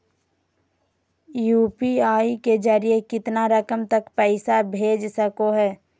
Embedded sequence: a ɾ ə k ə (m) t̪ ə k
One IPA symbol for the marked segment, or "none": m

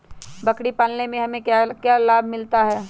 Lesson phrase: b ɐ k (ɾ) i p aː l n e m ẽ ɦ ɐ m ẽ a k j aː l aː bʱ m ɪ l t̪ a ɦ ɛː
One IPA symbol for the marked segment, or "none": ɽ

